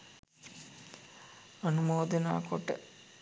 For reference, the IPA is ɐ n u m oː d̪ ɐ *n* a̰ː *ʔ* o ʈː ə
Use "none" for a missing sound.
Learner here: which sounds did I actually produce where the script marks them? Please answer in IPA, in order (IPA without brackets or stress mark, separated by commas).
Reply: n, k